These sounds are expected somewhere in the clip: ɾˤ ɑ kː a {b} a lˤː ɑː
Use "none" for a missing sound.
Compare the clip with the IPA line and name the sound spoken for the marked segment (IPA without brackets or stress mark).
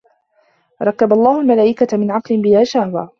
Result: b